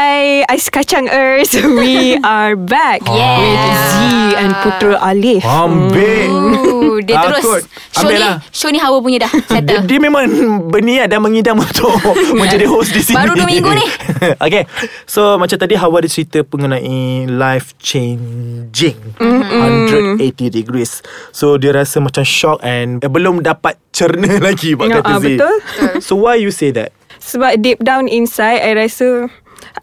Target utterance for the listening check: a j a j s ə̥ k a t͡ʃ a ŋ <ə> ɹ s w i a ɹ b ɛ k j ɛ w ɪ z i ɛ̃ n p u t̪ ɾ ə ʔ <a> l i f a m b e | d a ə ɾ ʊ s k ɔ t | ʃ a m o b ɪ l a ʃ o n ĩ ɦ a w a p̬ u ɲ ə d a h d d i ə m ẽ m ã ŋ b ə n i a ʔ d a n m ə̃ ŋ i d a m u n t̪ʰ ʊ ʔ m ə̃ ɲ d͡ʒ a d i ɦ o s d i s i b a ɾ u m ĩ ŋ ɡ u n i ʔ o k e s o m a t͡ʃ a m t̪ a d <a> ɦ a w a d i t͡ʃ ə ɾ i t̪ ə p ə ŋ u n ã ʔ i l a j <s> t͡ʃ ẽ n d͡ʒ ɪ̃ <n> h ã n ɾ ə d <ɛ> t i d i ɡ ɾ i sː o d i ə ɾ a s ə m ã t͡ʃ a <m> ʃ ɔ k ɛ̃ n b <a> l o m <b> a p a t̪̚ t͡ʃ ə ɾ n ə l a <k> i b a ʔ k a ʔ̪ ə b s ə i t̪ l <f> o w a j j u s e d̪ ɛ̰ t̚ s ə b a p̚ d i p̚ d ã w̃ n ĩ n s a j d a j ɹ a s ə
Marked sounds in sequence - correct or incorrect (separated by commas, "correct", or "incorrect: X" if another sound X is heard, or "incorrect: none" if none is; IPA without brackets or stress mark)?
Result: correct, correct, incorrect: i, incorrect: f, incorrect: ŋ, incorrect: e, correct, incorrect: ə, incorrect: d, incorrect: ɡ, incorrect: s